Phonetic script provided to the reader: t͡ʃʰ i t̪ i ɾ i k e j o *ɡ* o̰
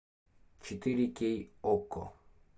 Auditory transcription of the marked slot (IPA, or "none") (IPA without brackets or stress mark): k